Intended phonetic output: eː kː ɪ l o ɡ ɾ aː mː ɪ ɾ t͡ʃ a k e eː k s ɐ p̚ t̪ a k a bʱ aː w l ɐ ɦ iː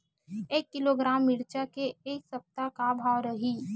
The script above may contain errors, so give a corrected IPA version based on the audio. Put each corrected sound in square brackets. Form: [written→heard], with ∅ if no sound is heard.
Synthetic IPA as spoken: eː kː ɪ l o ɡ ɾ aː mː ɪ ɾ t͡ʃ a k e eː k s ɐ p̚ t̪ a k a bʱ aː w [l→ɾ] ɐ ɦ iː